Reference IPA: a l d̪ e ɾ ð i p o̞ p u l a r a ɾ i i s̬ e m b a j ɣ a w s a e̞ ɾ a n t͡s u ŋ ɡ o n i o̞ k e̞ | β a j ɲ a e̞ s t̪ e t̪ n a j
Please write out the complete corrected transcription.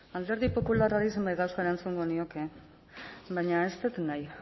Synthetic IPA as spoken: a l d̪ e ɾ ð i p o̞ p u l a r a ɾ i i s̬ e m b a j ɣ a w s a e̞ ɾ a n t͡s u ŋ ɡ o n i o̞ k e̞ | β a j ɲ a e̞ s t̪ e t̪ n a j

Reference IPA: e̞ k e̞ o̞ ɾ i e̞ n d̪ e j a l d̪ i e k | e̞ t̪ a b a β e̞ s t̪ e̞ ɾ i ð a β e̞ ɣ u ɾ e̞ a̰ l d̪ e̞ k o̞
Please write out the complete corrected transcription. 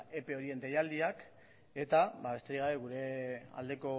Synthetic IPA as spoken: e̞ p e̞ o̞ ɾ i e̞ n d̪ e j a l d̪ i a k | e̞ t̪ a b a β e̞ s t̪ e̞ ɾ i ɣ a β e̞ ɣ u ɾ e̞ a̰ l d̪ e̞ k o̞

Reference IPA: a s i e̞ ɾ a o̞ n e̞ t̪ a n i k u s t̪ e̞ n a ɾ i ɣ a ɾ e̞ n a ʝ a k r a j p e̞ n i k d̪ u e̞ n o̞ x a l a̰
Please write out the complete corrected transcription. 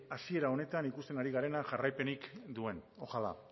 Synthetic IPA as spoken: a s i e̞ ɾ a o̞ n e̞ t̪ a n i k u s t̪ e̞ n a ɾ i ɣ a ɾ e̞ n a ʝ a r a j p e̞ n i k d̪ u e̞ n o̞ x a l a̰

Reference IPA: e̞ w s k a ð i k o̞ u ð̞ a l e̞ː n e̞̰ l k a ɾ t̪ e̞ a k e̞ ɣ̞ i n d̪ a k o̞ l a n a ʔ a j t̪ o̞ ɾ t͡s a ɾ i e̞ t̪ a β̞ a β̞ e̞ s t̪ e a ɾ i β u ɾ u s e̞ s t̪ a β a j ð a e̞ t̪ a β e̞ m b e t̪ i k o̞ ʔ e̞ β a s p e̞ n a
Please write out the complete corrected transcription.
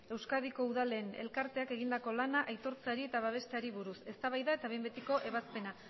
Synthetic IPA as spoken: e̞ w s k a ð i k o̞ u ð̞ a l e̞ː n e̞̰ l k a ɾ t̪ e̞ a k e̞ ɣ̞ i n d̪ a k o̞ l a n a ʔ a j t̪ o̞ ɾ t͡s a ɾ i e̞ t̪ a β̞ a β̞ e̞ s t̪ e a ɾ i β u ɾ u s e̞ s t̪ a β a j ð a e̞ t̪ a β e̞ m b e t̪ i k o̞ ʔ e̞ β a s p e̞ n a

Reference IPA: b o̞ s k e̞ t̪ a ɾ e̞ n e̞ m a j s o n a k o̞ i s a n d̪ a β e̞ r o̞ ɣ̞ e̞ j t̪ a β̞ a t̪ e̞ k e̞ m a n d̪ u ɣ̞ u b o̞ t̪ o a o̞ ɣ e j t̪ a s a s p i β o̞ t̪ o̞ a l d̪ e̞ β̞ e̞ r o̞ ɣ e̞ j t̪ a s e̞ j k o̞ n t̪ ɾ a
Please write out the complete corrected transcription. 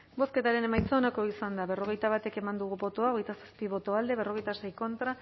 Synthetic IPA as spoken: b o̞ s k e̞ t̪ a ɾ e̞ n e̞ m a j t͡s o n a k o̞ i s a n d̪ a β e̞ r o̞ ɣ̞ e̞ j t̪ a β̞ a t̪ e̞ k e̞ m a n d̪ u ɣ̞ u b o̞ t̪ o a o̞ ɣ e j t̪ a s a s p i β o̞ t̪ o̞ a l d̪ e̞ β̞ e̞ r o̞ ɣ e̞ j t̪ a s e̞ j k o̞ n t̪ ɾ a

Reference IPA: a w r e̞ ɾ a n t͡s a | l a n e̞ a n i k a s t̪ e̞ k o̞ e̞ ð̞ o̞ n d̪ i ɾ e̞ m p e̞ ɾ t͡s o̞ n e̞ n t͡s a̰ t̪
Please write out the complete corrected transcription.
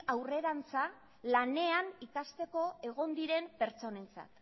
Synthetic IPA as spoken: a w r e̞ ɾ a n t͡s a | l a n e̞ a n i k a s t̪ e̞ k o̞ e̞ ɣ̞ o̞ n d̪ i ɾ e̞ m p e̞ ɾ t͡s o̞ n e̞ n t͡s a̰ t̪

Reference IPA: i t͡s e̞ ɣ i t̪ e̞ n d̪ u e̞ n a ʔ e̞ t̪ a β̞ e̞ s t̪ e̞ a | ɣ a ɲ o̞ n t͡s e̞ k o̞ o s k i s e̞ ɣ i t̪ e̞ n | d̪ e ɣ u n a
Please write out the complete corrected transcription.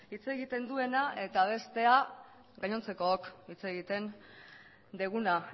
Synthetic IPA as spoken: i t͡s e̞ ɣ i t̪ e̞ n d̪ u e̞ n a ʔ e̞ t̪ a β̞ e̞ s t̪ e̞ a | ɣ a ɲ o̞ n t͡s e̞ k o̞ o k i t͡s e̞ ɣ i t̪ e̞ n | d̪ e ɣ u n a

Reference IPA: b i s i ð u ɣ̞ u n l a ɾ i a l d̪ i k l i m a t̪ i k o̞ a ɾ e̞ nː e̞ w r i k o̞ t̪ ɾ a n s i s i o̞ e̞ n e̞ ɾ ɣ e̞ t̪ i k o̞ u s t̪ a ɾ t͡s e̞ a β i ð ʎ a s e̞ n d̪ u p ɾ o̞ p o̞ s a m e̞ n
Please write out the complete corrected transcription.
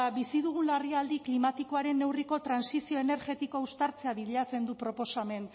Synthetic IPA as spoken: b i s i ð u ɣ̞ u n l a r i a l d̪ i k l i m a t̪ i k o̞ a ɾ e̞ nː e̞ w r i k o̞ t̪ ɾ a n s i s i o̞ e̞ n e̞ ɾ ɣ e̞ t̪ i k o̞ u s t̪ a ɾ t͡s e̞ a β i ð ʎ a t͡s e̞ n d̪ u p ɾ o̞ p o̞ s a m e̞ n

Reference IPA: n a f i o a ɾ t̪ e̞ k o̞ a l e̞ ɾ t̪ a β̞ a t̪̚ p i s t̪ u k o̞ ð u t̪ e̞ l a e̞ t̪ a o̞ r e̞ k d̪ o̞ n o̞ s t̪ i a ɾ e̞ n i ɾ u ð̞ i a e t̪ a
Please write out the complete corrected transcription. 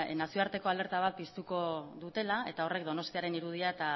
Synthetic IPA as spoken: n a s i o a ɾ t̪ e̞ k o̞ a l e̞ ɾ t̪ a β̞ a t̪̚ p i s t̪ u k o̞ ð u t̪ e̞ l a e̞ t̪ a o̞ r e̞ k d̪ o̞ n o̞ s t̪ i a ɾ e̞ n i ɾ u ð̞ i a e t̪ a

